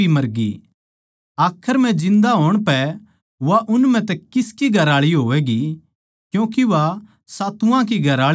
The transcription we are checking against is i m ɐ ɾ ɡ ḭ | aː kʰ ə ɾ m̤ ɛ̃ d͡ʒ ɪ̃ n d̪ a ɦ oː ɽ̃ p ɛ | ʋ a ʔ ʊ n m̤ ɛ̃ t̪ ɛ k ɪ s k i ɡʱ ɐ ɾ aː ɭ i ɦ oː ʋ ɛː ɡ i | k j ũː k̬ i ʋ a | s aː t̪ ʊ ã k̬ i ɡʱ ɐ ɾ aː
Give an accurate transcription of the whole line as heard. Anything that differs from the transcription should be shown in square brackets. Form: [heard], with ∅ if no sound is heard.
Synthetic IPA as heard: i m ɐ ɾ ɡ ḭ | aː kʰ ə ɾ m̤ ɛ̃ d͡ʒ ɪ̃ n d̪ a ɦ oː ɽ̃ p ɛ | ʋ a ʔ ʊ n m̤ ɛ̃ t̪ ɛ k ɪ s k i ɡʱ ɐ ɾ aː ɭ i ɦ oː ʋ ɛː ɡ i | k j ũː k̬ i ʋ a | s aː t̪ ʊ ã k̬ i ɡʱ ɐ ɾ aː